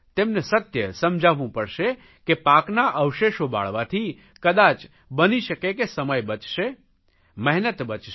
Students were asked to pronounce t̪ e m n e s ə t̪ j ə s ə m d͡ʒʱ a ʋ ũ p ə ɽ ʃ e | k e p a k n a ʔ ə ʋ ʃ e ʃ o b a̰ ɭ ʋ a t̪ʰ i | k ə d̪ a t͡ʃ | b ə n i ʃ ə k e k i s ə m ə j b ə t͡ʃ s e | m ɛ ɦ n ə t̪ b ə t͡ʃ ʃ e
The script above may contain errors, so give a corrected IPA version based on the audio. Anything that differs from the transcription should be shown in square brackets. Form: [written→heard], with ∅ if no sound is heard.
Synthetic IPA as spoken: t̪ e m n e s ə t̪ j ə s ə m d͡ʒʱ a ʋ ũ p ə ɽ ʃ e | k e p a k n a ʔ ə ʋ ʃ e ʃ o b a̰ ɭ ʋ a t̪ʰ i | k ə d̪ a t͡ʃ | b ə n i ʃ ə k e k [i→e] s ə m ə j b ə t͡ʃ [s→ʃ] e | m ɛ ɦ n ə t̪ b ə t͡ʃ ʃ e